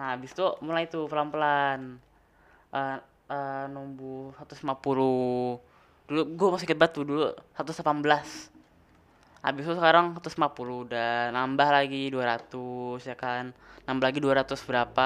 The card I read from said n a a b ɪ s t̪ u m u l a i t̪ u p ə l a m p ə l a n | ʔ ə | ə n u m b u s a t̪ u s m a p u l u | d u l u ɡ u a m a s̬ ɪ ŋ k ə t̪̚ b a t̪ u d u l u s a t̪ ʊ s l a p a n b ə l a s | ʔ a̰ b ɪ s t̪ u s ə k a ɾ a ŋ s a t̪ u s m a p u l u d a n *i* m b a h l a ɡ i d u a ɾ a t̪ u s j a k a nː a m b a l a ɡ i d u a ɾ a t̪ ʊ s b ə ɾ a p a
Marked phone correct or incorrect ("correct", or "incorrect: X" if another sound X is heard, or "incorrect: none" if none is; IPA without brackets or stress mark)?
incorrect: a